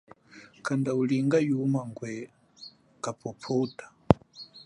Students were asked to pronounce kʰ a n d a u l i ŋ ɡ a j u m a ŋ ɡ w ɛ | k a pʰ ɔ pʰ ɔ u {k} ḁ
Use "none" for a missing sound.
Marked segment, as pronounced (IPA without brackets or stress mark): t